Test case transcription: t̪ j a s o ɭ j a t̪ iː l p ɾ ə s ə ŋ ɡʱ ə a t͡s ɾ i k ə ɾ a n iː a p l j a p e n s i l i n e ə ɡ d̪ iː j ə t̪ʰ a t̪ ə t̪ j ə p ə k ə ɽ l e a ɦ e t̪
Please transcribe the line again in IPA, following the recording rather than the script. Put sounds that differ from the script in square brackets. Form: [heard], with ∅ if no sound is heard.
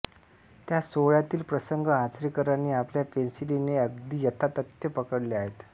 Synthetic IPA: t̪ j a s o ɭ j a t̪ iː l p ɾ ə s ə ŋ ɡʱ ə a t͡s ɾ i k ə ɾ a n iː a p l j a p e n s i l i n e ə ɡ d̪ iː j ə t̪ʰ a t̪ ə t̪ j ə p ə k ə ɽ l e a ɦ e t̪